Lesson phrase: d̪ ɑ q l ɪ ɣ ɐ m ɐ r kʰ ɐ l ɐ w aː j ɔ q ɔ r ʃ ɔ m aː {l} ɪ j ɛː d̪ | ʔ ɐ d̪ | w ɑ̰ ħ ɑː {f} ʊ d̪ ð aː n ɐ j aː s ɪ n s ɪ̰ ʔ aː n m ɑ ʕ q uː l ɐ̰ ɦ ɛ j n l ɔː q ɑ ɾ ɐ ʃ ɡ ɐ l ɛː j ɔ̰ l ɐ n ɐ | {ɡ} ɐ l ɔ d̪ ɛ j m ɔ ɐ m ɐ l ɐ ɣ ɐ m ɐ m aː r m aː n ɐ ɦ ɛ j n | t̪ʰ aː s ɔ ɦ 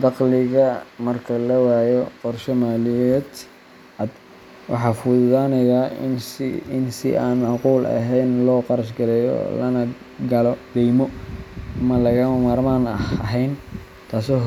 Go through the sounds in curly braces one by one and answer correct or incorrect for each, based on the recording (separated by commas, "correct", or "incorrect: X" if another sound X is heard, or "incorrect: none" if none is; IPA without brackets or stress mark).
correct, correct, correct